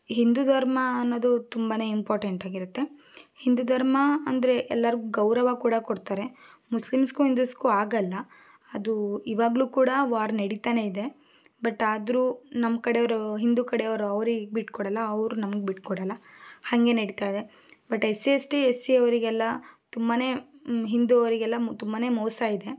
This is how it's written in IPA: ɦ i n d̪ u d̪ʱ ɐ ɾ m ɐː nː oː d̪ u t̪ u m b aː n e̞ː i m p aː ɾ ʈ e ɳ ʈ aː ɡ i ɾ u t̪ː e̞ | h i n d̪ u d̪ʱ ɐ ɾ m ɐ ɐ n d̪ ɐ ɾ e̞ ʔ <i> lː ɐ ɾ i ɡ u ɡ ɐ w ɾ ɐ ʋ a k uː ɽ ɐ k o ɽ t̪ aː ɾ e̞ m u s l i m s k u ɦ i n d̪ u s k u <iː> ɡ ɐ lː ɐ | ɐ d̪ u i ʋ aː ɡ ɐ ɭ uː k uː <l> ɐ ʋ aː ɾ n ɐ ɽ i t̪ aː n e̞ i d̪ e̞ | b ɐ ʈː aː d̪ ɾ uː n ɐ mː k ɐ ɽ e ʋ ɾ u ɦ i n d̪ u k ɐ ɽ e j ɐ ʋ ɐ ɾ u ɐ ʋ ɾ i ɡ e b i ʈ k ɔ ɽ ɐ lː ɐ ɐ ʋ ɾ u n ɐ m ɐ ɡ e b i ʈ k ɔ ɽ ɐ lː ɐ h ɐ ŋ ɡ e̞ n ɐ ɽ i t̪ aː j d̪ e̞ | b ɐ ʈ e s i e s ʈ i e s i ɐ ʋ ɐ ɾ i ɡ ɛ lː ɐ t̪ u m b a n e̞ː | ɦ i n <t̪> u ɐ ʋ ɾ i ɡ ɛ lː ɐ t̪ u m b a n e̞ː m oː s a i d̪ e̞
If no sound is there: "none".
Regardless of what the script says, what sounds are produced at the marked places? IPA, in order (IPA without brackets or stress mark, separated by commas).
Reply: ɛ, aː, ɽ, d̪